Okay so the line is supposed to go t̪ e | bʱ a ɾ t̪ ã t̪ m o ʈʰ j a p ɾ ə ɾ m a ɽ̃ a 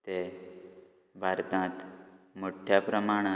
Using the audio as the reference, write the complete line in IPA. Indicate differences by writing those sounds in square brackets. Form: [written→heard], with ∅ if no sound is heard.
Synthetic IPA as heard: t̪ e | bʱ a ɾ t̪ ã t̪ m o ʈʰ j a p ɾ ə [ɾ→∅] m a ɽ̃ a